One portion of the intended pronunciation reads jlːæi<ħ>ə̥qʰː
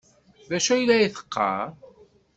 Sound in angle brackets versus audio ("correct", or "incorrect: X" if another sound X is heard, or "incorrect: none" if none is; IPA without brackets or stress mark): incorrect: θ